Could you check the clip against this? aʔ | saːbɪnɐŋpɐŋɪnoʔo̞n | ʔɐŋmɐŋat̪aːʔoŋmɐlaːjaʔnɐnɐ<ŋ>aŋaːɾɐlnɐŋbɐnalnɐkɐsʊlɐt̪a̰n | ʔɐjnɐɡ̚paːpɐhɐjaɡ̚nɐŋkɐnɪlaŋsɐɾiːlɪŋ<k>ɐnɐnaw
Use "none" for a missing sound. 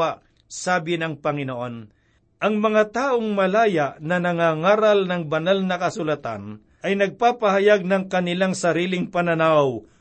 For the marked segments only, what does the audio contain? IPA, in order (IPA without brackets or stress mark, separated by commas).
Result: ŋ, p